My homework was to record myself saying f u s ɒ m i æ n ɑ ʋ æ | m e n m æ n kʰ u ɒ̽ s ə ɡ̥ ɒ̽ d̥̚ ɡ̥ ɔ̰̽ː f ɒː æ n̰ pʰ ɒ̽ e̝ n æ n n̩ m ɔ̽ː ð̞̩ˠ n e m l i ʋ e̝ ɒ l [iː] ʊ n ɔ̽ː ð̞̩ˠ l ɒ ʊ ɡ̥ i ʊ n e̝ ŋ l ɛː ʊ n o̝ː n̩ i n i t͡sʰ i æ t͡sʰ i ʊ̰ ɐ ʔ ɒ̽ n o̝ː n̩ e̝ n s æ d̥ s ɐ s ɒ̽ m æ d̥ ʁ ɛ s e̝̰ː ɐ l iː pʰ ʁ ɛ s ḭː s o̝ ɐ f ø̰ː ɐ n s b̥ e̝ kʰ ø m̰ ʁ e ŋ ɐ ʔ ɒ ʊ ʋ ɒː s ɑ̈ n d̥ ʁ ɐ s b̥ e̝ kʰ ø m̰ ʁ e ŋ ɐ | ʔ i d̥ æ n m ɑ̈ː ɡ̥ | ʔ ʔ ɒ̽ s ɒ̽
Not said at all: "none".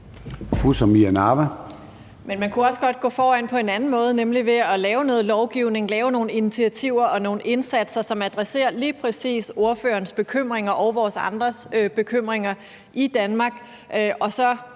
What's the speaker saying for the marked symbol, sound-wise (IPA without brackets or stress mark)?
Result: ɛː